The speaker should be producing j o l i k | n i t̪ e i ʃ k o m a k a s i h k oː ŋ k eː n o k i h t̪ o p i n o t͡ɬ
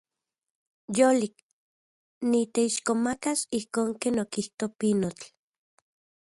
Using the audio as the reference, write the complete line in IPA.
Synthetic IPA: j o l i k | n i t̪ e i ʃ k o m a k a s i h k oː ŋ k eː n o k i h t̪ o p i n o t͡ɬ

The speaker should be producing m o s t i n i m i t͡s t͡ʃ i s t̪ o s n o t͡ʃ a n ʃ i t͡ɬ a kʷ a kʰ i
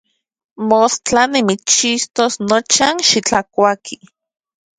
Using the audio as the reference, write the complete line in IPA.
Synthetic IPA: m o s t a n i m i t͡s t͡ʃ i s t̪ o s n o t͡ʃ a n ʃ i t͡ɬ a kʷ a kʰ i

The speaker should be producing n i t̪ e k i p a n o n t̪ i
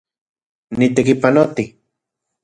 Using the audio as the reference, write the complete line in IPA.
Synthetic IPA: n i t̪ e k i p a n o t̪ i

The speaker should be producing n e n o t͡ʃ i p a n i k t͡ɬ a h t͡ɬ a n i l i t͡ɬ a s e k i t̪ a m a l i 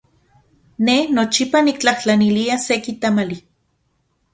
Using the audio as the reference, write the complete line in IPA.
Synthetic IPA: n e n o t͡ʃ i p a n i k t͡ɬ a h t͡ɬ a n i l i a s e k i t̪ a m a l i

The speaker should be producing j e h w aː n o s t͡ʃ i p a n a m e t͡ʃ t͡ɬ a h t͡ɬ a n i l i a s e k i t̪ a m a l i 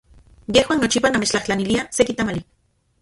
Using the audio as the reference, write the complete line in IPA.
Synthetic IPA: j e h w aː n o t͡ʃ i p a n a m e t͡ʃ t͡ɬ a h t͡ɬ a n i l i a s e k i t̪ a m a l i

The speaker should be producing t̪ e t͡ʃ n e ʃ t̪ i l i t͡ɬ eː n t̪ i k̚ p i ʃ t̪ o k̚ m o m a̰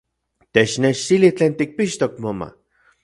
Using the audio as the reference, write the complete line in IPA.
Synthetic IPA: t̪ e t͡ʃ n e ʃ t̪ i l i t͡ɬ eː n t̪ i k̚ p i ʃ t̪ o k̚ m o m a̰

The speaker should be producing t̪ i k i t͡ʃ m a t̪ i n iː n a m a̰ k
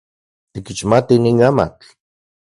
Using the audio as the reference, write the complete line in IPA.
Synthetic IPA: t̪ i k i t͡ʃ m a t̪ i n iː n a m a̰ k

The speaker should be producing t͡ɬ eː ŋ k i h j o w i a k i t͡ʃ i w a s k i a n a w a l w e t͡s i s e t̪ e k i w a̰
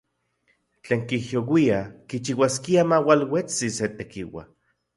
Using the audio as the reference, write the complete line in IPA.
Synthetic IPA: t͡ɬ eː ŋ k i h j o w i a k i t͡ʃ i w a s k i a m a w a l w e t͡s i s e t̪ e k i w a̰

